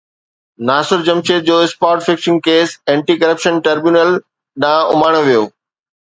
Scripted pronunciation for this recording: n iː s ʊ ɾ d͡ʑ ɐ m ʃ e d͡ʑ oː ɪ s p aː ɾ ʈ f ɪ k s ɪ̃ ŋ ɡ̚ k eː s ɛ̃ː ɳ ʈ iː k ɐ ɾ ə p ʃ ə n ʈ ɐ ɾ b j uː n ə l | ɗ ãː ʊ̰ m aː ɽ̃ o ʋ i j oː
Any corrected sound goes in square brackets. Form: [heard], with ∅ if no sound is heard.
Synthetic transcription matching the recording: n [aː] s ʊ ɾ d͡ʑ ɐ m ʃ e d͡ʑ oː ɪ s p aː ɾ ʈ f ɪ k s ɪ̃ ŋ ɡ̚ k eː s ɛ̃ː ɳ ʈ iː k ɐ ɾ ə p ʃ ə n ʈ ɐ ɾ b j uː n ə l | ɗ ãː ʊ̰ m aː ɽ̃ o ʋ i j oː